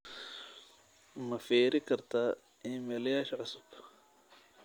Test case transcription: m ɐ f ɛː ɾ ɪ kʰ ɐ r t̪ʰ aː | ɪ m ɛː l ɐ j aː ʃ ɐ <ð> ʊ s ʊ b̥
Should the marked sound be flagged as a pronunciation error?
yes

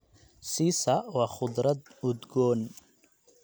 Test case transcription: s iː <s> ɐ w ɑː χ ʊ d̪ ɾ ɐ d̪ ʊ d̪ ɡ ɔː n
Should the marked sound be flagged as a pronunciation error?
no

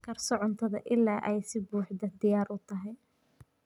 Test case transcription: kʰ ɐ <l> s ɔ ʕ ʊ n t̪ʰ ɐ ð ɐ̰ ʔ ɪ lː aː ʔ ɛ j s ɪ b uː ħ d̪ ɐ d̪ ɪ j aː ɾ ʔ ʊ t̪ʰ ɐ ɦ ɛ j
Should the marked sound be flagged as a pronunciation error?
yes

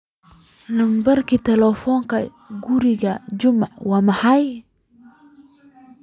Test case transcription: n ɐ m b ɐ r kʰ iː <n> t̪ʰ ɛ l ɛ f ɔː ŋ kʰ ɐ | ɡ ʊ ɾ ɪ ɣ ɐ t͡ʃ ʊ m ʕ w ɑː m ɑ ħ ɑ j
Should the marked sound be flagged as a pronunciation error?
yes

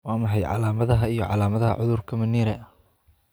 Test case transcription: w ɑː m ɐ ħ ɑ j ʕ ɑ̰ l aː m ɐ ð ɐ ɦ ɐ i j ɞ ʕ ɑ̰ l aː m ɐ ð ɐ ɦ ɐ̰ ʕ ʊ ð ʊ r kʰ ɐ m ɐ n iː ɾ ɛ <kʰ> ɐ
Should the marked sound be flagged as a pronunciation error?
yes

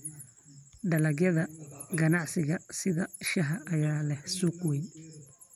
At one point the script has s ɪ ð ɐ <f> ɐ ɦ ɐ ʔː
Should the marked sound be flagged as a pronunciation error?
yes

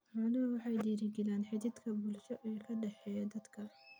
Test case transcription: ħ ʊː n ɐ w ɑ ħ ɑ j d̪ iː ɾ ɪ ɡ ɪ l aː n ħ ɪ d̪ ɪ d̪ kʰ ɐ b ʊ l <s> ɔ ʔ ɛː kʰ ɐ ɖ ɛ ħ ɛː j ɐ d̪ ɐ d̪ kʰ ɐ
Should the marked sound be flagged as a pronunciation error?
yes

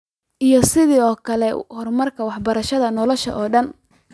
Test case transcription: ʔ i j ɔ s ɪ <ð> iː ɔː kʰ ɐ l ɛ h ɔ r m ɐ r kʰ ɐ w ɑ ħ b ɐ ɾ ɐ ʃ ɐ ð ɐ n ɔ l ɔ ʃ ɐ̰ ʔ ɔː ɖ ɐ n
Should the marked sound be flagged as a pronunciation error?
no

